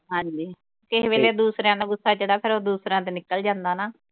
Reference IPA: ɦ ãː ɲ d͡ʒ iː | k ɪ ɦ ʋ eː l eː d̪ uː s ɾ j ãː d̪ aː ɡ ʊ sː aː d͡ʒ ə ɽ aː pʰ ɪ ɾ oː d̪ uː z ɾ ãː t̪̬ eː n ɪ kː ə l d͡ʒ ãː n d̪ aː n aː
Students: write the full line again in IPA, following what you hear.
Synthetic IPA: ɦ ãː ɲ d͡ʒ iː | k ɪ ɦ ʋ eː l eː d̪ uː s ɾ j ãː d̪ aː ɡ ʊ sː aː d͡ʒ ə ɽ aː pʰ ɪ ɾ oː d̪ uː s ɾ ãː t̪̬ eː n ɪ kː ə l d͡ʒ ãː n d̪ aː n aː